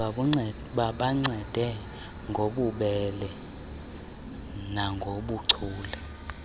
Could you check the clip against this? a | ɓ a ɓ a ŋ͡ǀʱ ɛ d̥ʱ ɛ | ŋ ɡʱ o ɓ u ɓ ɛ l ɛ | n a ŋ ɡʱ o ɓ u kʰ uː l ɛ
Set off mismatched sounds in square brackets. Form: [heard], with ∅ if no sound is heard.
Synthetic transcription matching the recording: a | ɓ a ɓ a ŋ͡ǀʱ ɛ d̥ʱ ɛ | ŋ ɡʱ o ɓ u ɓ ɛ l ɛ | n a ŋ ɡʱ o ɓ u [ǀʰ] uː l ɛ